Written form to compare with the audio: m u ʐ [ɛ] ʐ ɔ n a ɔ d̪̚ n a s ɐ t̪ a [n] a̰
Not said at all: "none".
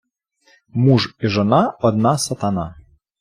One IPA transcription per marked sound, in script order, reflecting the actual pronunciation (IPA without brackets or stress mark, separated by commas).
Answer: i, n